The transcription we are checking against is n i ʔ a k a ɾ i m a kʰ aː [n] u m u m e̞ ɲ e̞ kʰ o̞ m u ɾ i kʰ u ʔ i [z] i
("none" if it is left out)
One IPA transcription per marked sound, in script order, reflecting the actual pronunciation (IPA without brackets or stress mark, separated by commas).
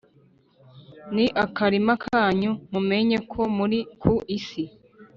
ɲ, s